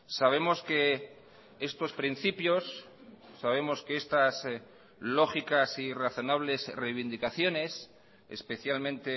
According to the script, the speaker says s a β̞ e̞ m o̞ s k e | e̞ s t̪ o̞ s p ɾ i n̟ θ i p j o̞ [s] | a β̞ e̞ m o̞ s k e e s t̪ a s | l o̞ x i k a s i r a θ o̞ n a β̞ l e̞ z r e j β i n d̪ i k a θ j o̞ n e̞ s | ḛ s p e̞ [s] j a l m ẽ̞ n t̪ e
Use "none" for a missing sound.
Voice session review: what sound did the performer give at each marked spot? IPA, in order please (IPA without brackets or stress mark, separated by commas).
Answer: sː, θ